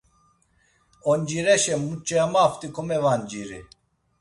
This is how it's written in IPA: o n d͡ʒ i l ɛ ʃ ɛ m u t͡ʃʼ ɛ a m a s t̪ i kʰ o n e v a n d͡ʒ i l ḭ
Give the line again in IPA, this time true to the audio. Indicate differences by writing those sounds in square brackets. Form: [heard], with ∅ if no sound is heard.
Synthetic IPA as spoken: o n d͡ʒ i [ɾ] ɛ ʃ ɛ m u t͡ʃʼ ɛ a m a [f] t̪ i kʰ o [m] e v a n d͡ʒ i [ɾ] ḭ